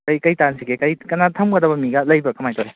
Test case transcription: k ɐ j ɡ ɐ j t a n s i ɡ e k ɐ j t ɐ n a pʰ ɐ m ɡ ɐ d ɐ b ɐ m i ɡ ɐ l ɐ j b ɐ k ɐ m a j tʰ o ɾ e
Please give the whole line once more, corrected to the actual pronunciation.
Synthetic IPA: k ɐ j k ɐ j t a n s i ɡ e k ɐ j k ɐ n a tʰ ɐ m ɡ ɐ d ɐ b ɐ m i ɡ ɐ l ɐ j b ɐ k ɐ m a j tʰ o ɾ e